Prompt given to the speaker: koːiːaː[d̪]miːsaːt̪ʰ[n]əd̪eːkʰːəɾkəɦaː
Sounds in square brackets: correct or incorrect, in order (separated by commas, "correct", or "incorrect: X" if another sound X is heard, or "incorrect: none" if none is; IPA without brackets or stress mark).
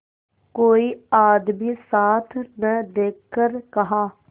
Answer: correct, correct